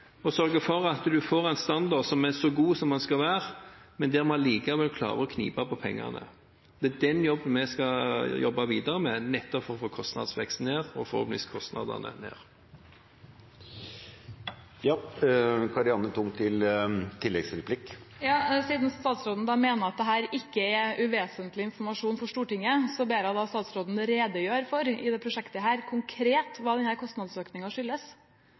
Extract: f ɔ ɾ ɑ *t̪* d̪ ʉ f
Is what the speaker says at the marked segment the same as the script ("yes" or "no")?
yes